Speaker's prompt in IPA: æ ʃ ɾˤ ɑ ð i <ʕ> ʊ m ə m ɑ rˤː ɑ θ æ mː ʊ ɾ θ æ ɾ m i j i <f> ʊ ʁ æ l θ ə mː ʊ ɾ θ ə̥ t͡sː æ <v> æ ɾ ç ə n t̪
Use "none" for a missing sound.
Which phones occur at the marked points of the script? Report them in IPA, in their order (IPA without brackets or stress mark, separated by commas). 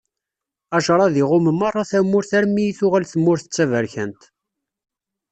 ʁ, θ, v